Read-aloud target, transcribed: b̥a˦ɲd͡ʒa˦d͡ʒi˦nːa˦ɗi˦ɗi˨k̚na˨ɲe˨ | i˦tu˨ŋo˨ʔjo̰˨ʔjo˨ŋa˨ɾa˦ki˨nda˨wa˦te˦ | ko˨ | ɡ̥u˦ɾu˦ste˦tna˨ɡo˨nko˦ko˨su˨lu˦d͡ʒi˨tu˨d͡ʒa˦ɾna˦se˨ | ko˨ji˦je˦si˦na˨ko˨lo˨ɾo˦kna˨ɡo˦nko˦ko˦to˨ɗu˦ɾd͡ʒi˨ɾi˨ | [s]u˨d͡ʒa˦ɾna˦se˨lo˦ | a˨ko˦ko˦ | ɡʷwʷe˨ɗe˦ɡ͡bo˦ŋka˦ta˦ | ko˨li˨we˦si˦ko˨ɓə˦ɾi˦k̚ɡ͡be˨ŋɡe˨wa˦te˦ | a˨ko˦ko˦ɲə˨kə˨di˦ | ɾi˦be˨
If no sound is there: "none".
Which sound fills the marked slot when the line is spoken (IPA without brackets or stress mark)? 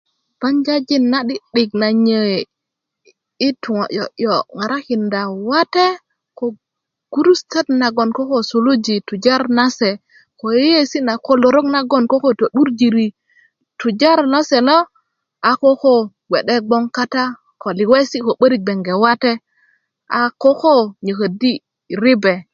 t